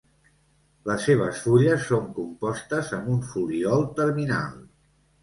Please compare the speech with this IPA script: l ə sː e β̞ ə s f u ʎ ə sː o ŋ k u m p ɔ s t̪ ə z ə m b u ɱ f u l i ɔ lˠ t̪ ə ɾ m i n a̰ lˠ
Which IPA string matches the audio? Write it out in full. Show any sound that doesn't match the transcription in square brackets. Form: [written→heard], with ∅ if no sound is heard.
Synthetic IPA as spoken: l ə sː e β̞ ə s f u ʎ ə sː o ŋ k u m p ɔ s t̪ ə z ə m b u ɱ f u l i ɔ lˠ t̪ ə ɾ m i n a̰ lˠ